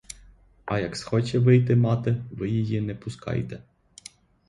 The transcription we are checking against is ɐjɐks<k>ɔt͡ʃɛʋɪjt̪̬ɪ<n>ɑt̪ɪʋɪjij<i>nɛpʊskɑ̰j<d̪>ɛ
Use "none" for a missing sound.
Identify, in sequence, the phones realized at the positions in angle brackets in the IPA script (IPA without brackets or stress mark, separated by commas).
x, m, i, t̪